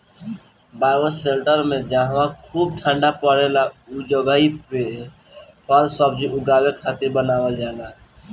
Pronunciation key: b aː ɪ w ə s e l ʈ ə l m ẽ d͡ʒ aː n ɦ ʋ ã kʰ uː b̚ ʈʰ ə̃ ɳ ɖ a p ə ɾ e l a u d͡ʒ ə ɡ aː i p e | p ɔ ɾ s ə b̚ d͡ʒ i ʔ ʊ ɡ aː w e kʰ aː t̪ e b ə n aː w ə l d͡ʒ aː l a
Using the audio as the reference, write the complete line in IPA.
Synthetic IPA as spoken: b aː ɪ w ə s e l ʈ ə ɾ m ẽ d͡ʒ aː ɦ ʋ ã kʰ uː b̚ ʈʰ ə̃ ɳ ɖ a p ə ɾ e l a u d͡ʒ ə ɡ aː i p e | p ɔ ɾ s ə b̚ d͡ʒ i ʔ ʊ ɡ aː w e kʰ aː t̪ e b ə n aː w ə l d͡ʒ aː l a